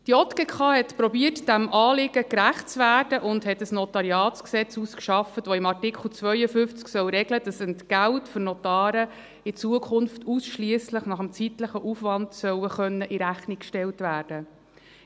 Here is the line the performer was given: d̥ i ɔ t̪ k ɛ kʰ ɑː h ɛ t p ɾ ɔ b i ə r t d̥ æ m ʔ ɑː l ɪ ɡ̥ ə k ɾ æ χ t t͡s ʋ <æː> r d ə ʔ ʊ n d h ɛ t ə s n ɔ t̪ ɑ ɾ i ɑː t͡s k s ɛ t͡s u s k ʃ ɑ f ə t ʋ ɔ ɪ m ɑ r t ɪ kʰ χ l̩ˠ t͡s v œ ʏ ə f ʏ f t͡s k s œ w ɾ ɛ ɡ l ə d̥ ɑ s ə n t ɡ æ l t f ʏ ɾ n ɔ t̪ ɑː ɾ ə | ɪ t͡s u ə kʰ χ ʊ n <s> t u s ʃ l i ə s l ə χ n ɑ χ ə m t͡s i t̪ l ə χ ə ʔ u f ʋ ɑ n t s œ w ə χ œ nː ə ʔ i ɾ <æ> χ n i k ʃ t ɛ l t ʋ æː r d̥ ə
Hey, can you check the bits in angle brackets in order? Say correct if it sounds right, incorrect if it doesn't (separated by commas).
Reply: correct, incorrect, correct